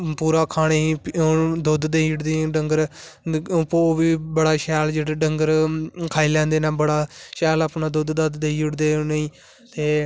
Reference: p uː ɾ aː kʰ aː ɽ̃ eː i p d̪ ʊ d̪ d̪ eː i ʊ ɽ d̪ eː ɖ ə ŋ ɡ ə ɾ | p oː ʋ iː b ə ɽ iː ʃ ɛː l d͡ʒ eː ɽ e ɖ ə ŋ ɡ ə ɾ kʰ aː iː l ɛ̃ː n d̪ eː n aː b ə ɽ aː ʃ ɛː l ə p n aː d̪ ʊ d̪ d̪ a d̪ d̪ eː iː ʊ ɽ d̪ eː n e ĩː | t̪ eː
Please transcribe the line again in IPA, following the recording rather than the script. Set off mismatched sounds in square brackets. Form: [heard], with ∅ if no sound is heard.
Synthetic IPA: p uː ɾ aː kʰ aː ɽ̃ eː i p d̪ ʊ d̪ d̪ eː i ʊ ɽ d̪ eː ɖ ə ŋ ɡ ə ɾ | p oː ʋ iː b ə ɽ [aː] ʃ ɛː l d͡ʒ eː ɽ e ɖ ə ŋ ɡ ə ɾ kʰ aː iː l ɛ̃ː n d̪ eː n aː b ə ɽ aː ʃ ɛː l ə p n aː d̪ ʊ d̪ d̪ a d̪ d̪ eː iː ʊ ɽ d̪ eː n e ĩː | t̪ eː